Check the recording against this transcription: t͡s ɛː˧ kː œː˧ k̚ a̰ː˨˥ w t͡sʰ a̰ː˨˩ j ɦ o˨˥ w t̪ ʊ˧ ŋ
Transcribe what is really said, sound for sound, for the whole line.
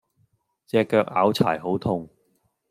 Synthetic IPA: t͡s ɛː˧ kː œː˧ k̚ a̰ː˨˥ w t͡sʰ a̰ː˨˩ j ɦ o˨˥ w t̪ʰ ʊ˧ ŋ

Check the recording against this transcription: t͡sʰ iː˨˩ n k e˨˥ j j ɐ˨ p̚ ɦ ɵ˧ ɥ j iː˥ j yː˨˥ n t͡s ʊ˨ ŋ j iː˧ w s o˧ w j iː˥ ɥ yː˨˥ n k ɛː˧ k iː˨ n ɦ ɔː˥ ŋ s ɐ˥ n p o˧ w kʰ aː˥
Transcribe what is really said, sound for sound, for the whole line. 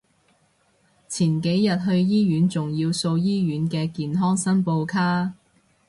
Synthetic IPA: t͡sʰ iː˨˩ n k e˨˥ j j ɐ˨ t̚ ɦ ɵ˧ ɥ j iː˥ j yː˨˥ n t͡s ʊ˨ ŋ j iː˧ w s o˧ w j iː˥ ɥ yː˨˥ n k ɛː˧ k iː˨ n ɦ ɔː˥ ŋ s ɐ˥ n p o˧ w kʰ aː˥

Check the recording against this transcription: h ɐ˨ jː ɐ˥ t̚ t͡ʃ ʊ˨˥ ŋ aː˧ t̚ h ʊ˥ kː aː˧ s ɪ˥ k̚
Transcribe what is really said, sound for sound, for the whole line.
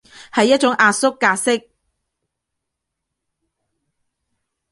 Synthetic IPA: h ɐ˨ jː ɐ˥ t̚ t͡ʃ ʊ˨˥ ŋ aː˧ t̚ s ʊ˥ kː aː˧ s ɪ˥ k̚

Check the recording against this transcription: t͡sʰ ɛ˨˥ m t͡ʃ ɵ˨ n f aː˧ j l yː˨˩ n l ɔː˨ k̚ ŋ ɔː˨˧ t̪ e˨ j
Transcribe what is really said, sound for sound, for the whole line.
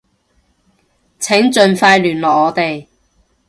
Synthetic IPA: t͡sʰ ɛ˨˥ ŋ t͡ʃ ɵ˨ n f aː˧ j l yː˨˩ n l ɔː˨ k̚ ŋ ɔː˨˧ t̪ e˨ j

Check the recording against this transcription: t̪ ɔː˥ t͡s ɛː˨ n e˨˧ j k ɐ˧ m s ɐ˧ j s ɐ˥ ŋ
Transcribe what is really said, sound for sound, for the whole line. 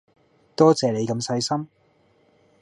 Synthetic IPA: t̪ ɔː˥ t͡s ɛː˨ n e˨˧ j k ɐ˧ m s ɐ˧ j s ɐ˥ m

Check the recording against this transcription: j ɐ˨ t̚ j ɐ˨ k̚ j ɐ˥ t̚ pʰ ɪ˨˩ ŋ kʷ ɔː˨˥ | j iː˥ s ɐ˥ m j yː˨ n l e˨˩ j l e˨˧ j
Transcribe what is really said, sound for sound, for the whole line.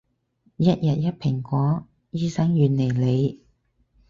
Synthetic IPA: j ɐ˥ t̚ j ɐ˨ t̚ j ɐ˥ t̚ pʰ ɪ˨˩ ŋ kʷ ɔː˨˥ | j iː˥ s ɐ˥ ŋ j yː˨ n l e˨˩ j l e˨˧ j

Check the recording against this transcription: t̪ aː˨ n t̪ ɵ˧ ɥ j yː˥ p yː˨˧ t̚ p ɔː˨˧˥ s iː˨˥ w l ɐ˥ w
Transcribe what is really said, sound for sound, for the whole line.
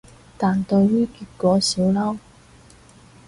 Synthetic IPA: t̪ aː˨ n t̪ ɵ˧ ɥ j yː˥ k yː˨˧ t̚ k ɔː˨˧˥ s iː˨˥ w l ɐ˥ w

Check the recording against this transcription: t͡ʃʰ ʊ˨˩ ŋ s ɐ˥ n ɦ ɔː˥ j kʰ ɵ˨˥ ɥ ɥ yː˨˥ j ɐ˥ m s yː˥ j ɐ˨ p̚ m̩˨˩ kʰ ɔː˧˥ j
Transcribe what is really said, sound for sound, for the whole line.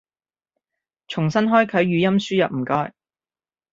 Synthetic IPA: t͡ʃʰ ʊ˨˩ ŋ s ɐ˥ n ɦ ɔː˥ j kʰ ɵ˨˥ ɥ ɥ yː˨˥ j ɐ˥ m s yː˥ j ɐ˨ p̚ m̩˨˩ k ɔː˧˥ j

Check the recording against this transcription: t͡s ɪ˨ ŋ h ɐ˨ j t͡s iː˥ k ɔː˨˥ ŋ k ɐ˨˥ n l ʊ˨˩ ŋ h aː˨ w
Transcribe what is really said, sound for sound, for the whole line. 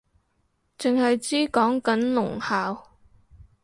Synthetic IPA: t͡s ɪ˨ ŋ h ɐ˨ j t͡s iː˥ k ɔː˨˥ ŋ k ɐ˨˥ n l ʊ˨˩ ŋ h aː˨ w

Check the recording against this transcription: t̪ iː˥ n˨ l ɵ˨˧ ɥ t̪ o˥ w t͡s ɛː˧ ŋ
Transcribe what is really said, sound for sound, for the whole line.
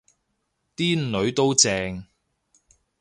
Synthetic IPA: t̪ iː˥ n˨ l ɵ˨˧ ɥ t̪ o˥ w t͡s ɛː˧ ŋ

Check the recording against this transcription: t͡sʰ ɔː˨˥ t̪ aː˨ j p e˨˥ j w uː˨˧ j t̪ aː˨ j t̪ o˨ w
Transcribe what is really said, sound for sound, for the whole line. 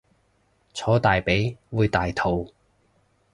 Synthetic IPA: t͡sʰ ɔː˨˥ t̪ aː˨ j p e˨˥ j w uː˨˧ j t̪ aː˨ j t̪ʰ o˨ w

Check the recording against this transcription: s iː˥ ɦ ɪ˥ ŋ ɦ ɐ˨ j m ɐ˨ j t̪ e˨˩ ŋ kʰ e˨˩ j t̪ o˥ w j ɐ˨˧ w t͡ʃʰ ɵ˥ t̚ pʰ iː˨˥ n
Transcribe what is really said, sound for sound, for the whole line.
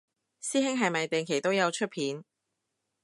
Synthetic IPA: s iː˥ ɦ ɪ˥ ŋ ɦ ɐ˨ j m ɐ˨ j t̪ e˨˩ ŋ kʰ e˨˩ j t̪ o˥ w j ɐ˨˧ w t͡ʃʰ ɵ˥ t̚ pʰ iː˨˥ n

